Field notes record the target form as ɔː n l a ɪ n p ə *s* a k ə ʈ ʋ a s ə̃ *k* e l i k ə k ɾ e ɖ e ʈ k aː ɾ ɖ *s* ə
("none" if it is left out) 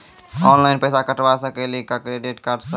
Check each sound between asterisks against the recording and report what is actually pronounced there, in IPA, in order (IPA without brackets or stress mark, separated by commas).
s, k, s